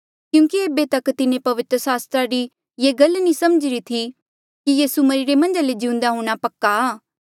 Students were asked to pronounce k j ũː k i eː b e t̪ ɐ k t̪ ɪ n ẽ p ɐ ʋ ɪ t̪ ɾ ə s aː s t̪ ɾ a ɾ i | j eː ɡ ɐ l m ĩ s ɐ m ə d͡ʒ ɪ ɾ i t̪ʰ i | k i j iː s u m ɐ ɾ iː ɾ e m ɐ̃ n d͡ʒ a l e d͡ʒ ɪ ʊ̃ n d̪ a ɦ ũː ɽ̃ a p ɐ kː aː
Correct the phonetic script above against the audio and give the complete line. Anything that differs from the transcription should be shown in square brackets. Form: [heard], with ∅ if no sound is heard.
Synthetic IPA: k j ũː k i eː b e t̪ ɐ k t̪ ɪ n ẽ p ɐ ʋ ɪ t̪ ɾ ə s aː s t̪ ɾ a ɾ i | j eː ɡ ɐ l [n] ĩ s ɐ m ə d͡ʒ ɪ ɾ i t̪ʰ i | k i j iː s u m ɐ ɾ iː ɾ e m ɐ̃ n d͡ʒ a l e d͡ʒ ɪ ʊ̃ n d̪ a ɦ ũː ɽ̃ a p ɐ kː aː